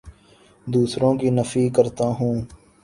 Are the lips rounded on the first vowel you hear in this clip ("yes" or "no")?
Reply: yes